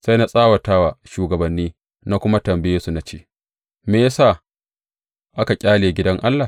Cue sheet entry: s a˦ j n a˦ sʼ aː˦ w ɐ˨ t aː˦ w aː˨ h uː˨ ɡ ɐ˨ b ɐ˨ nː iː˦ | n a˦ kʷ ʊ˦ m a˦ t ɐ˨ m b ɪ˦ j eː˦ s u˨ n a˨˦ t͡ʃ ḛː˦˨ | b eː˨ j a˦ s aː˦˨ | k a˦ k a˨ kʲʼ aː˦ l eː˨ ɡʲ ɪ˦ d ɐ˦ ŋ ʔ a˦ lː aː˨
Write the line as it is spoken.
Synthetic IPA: s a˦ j n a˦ sʼ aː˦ w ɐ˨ t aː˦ w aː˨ ʃ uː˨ ɡ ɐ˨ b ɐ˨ nː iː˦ | n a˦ kʷ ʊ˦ m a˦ t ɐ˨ m b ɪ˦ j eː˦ s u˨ n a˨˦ t͡ʃ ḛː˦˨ | m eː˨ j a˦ s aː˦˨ | ʔ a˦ k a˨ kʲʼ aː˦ l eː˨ ɡʲ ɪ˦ d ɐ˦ ŋ ʔ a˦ lː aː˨

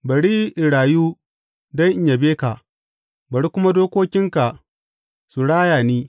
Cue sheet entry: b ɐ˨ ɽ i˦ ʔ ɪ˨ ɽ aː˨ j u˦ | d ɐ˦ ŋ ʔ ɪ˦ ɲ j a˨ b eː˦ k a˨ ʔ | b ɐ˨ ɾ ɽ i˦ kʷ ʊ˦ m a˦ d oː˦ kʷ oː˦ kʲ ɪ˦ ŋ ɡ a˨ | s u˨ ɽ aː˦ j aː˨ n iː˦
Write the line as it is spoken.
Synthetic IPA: b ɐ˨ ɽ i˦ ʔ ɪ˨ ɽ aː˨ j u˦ | d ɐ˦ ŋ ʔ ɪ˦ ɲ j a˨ b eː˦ k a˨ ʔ | b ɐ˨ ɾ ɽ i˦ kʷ ʊ˦ m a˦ d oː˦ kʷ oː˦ kʲ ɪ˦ ŋ k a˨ | s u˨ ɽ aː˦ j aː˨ n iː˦

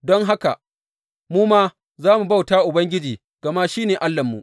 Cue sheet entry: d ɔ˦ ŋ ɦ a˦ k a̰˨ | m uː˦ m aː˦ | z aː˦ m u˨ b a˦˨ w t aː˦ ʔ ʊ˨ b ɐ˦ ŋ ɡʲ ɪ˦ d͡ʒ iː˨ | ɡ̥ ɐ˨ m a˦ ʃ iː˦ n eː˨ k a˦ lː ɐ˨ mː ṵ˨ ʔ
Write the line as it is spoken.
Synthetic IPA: d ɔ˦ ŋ ɦ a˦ k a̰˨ | m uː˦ m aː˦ | z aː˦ m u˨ b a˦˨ w t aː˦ ʔ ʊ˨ b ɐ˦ ŋ ɡʲ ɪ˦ d͡ʒ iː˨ | ɡ̥ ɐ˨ m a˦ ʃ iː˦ n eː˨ ʔ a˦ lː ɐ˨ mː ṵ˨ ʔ

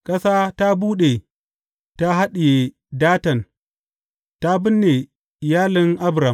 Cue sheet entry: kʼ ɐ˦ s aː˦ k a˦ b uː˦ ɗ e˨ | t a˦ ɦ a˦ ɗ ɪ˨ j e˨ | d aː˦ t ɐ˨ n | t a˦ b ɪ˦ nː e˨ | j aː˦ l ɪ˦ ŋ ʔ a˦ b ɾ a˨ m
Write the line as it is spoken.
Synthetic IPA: kʼ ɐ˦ s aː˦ t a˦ b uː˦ ɗ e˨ | t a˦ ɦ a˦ ɗ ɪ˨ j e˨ | d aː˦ t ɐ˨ n | t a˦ b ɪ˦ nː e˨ | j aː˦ l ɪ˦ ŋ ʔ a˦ b ɾ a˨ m

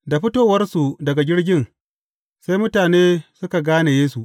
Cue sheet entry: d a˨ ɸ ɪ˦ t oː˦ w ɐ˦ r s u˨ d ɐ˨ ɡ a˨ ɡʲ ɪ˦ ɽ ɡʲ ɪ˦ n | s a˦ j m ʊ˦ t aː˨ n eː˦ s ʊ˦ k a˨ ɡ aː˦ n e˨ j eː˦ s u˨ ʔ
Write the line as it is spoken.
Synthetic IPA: d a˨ ɸ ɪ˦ t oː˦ w ɐ˦ r s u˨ d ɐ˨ ɡ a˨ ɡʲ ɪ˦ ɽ ɡʲ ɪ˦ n | s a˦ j m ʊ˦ t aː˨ n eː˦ s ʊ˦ k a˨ ɡ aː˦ n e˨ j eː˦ s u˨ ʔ

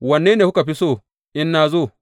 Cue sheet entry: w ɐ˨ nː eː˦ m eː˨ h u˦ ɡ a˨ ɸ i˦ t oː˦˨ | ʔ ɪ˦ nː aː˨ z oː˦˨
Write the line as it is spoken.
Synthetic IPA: w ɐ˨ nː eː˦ n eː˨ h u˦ k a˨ ɸ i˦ s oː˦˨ | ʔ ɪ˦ nː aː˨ z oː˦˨

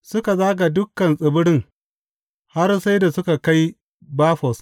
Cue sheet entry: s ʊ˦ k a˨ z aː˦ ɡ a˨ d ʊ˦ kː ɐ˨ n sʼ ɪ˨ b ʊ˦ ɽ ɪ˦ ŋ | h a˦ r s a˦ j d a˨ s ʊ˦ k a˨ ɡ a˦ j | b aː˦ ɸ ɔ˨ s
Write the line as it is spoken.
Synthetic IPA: s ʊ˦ k a˨ z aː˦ ɡ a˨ d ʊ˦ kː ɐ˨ n sʼ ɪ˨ b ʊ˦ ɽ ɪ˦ ŋ | h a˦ r s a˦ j d a˨ s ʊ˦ k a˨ k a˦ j | b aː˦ ɸ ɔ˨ s

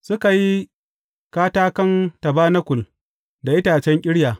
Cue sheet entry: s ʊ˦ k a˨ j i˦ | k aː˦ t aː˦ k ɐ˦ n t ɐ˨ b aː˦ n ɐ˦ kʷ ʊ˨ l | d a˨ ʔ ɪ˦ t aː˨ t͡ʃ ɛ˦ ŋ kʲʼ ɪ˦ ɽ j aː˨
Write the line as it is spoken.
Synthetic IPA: s ʊ˦ k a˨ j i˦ | k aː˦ t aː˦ k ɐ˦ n t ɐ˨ b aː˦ n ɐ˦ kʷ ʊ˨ l | d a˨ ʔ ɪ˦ t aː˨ t͡ʃ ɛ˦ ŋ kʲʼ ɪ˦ ɽ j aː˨

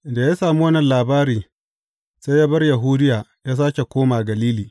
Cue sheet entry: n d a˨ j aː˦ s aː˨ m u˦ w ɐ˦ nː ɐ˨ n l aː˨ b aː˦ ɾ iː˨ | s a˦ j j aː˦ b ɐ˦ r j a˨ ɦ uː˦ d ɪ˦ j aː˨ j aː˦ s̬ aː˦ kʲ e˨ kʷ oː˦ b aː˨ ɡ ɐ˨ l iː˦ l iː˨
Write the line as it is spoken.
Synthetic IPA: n d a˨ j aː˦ s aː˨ m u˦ w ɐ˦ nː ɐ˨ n l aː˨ b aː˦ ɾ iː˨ | s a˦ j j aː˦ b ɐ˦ r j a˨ ɦ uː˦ d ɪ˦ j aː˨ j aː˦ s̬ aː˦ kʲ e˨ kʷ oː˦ m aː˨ ɡ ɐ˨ l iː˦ l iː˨

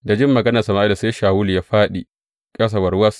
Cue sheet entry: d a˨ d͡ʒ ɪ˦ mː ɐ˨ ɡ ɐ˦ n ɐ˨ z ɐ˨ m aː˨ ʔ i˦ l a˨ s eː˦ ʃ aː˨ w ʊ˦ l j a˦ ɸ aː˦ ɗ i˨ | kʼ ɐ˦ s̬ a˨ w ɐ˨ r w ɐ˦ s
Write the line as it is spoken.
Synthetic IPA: d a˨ d͡ʒ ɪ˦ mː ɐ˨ ɡ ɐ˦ n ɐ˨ s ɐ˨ m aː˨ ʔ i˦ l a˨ s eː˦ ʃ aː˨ w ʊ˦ l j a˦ ɸ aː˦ ɗ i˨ | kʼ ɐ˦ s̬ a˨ w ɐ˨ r w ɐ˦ s

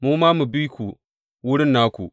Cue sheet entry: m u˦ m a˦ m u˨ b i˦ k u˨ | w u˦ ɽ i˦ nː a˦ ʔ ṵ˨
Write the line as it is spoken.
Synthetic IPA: m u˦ m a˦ m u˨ b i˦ k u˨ | w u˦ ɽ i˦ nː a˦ k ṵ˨

